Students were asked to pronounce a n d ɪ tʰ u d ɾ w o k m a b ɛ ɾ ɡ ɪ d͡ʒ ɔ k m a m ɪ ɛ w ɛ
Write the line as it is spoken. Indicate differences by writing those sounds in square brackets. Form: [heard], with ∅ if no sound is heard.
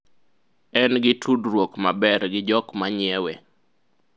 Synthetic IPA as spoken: [ɛ] n [ɡ] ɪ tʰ u d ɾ w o k m a b ɛ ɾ ɡ ɪ d͡ʒ ɔ k m a [ɲ] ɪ ɛ w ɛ